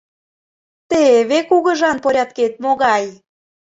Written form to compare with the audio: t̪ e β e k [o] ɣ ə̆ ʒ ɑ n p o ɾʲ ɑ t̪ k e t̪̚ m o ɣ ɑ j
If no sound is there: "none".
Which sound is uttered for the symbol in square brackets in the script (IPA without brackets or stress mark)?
u